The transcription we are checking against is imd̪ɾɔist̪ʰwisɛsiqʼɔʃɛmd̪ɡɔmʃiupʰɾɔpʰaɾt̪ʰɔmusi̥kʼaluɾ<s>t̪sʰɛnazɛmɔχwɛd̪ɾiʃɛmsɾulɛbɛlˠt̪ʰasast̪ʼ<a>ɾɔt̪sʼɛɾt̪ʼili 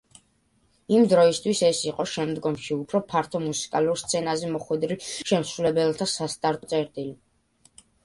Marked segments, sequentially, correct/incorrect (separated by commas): correct, correct